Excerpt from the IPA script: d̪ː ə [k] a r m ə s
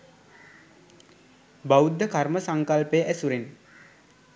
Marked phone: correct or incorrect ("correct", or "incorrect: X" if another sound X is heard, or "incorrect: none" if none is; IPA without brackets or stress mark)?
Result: correct